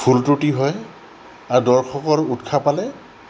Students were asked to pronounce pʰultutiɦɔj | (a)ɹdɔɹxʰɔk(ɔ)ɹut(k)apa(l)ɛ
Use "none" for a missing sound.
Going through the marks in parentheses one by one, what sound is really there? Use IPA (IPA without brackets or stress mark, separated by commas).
a, ɔ, kʰ, l